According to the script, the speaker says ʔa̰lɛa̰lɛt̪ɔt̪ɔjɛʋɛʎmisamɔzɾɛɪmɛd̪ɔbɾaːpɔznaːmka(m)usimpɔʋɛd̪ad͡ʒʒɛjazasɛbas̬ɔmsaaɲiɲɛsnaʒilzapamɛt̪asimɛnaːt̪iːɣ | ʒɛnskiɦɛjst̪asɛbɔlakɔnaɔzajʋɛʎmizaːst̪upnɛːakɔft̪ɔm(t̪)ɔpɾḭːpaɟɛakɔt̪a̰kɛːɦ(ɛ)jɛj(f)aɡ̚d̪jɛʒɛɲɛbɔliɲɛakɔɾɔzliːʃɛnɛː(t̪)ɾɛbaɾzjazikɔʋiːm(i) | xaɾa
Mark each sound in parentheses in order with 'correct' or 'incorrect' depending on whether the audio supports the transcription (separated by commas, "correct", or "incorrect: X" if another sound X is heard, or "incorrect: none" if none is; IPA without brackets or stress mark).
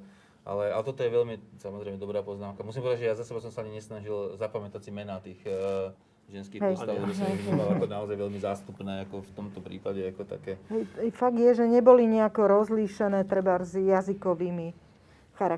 correct, correct, correct, correct, correct, correct